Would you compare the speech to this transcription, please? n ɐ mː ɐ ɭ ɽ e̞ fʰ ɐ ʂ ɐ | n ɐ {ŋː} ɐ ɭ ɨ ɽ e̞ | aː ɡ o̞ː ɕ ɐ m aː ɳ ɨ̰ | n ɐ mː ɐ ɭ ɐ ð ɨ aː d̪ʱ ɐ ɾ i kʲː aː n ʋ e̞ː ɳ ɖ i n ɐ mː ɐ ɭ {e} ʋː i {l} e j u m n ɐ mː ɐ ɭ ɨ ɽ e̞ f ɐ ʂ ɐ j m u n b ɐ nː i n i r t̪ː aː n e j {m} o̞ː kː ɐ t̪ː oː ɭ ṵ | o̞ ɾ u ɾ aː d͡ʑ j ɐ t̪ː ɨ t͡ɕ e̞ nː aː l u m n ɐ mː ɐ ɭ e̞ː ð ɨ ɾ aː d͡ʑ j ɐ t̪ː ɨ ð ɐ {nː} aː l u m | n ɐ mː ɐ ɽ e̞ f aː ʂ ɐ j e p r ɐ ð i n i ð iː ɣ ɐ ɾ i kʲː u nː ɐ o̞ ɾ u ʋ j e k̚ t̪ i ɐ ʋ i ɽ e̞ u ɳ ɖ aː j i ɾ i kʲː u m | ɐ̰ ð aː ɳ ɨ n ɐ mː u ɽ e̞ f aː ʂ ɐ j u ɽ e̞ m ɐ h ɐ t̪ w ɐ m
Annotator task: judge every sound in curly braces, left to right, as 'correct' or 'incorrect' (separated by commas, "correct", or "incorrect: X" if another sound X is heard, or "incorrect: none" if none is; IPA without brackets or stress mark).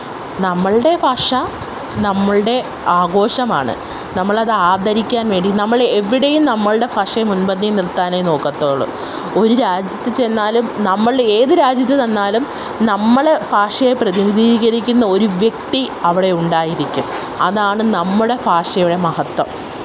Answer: incorrect: mː, correct, incorrect: ɽ, incorrect: n, correct